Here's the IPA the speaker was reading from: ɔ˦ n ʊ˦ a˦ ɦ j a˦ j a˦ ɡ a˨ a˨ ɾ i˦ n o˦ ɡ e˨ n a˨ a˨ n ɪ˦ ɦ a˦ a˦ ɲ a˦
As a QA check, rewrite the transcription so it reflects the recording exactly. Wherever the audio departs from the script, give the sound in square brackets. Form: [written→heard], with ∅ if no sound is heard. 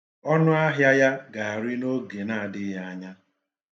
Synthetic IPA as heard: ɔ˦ n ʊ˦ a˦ ɦ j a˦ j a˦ ɡ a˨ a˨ ɾ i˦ n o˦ ɡ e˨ n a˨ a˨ [n→d] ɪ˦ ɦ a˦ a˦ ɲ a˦